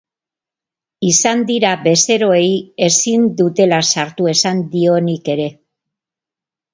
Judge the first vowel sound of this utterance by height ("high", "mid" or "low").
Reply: high